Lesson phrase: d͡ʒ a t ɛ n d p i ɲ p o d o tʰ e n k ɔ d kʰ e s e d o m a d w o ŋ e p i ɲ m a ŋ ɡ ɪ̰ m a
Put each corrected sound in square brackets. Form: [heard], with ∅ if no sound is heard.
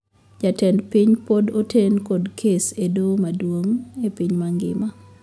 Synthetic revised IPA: d͡ʒ a t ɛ n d p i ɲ p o d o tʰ e n k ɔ d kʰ e s e d o m a d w o ŋ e p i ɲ m a ŋ ɡ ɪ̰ m a